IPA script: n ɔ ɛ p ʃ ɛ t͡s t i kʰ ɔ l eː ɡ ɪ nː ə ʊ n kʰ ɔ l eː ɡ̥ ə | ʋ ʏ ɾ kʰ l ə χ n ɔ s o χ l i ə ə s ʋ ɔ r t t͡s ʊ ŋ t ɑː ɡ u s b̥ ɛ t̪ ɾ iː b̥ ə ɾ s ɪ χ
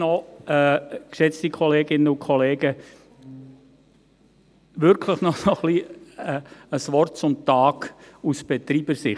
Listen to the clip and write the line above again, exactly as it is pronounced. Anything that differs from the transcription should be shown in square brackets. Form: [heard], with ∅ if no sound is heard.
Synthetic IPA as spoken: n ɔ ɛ [k] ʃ ɛ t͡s t i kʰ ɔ l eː ɡ ɪ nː ə ʊ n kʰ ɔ l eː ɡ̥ ə | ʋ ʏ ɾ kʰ l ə χ n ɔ s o χ l i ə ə s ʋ ɔ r t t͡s ʊ [m] t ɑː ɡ u s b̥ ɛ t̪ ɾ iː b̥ ə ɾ s ɪ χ